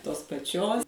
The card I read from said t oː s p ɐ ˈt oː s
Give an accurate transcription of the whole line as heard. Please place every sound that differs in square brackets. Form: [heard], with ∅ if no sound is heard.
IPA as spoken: t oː s p ɐ [ˈt͡ʃʲ] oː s